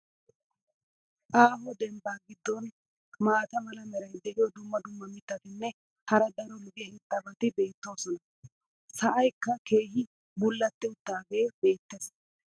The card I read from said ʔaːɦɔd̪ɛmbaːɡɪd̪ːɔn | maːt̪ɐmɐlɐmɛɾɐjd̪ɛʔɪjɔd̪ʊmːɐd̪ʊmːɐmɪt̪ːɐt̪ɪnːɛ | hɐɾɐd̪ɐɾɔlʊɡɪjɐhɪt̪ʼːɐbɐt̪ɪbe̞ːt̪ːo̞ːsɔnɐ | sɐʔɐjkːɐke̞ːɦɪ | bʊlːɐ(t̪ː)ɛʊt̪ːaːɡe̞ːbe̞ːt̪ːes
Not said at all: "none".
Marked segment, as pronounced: t̪ː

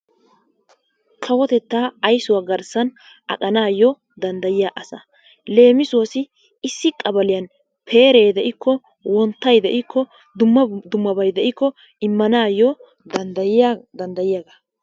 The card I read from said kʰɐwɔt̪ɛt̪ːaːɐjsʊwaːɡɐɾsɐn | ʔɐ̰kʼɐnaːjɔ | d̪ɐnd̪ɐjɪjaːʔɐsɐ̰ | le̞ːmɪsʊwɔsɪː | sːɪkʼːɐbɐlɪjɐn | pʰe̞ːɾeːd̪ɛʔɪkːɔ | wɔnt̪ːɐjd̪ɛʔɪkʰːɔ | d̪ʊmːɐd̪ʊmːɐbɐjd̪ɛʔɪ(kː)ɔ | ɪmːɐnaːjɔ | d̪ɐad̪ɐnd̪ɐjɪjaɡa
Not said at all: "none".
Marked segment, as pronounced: kː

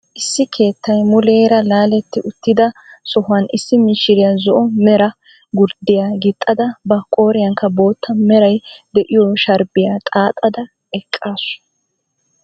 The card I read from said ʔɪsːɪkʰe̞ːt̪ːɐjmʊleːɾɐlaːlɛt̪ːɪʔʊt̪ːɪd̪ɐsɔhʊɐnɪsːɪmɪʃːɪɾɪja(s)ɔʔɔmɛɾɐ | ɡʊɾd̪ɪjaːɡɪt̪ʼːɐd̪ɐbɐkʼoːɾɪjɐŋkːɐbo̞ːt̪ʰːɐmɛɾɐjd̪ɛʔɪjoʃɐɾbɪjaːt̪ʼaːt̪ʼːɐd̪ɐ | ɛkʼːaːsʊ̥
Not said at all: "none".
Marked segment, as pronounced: z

